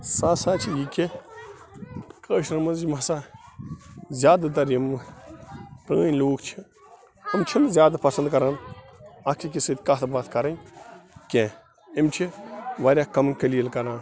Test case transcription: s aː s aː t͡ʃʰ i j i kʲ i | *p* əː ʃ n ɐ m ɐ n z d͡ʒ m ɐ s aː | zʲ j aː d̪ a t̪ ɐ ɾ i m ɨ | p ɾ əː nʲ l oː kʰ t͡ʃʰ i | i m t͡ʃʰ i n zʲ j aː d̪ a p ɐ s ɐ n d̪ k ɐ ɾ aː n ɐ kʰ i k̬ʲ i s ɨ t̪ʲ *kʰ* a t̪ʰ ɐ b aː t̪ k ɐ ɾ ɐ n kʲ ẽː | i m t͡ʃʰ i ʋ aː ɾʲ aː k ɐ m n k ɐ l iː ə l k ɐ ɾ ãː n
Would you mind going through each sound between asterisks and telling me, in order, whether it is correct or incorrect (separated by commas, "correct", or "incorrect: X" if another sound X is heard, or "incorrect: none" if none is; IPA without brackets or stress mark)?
incorrect: k, incorrect: k